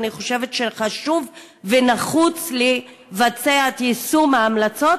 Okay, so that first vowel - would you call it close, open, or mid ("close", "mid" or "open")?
close